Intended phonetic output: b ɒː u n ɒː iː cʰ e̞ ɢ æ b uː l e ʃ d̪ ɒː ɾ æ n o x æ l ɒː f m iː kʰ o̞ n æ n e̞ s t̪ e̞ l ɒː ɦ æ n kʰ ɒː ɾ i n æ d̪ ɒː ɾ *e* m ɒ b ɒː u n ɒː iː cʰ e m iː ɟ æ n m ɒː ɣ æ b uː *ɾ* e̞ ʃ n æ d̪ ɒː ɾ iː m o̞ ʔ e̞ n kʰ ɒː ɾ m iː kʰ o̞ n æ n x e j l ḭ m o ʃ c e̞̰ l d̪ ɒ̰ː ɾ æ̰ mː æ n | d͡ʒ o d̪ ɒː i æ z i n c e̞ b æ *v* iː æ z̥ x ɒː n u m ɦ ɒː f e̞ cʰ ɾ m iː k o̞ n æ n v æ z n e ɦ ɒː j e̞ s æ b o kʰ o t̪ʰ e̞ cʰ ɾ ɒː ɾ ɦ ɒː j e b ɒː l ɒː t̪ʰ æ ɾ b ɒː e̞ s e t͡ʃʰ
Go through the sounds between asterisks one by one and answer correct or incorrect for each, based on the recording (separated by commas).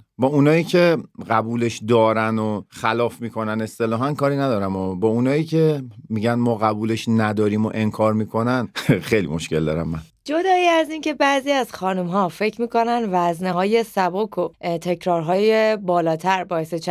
incorrect, incorrect, incorrect